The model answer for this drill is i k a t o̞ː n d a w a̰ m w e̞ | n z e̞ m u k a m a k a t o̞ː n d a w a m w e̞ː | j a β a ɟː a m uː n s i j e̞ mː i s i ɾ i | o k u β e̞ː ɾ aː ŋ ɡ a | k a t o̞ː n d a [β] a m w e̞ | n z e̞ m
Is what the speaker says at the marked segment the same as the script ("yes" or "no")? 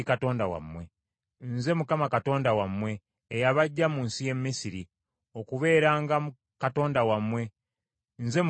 no